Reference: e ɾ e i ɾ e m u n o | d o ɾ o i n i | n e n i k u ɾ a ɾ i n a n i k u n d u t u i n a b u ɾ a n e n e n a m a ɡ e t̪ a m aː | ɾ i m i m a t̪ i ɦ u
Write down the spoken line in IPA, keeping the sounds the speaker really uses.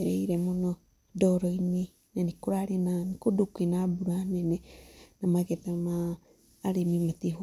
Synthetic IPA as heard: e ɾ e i ɾ e m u n o | d o ɾ o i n i | n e n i k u ɾ a ɾ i n a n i k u d u k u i n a b u ɾ a n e n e n a m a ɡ e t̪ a m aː | ɾ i m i m a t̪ i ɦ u